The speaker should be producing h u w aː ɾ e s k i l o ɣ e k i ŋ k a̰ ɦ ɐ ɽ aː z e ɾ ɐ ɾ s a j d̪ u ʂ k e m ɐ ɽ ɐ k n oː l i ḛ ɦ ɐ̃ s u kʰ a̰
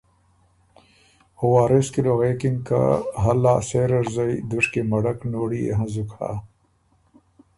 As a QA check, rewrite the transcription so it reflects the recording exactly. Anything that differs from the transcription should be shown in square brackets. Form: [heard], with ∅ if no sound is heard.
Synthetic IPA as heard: h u w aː ɾ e s k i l o ɣ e k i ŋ k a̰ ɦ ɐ [l] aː [s] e ɾ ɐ ɾ [z] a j d̪ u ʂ k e m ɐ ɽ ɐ k n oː [ɽ] i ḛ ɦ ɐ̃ [z] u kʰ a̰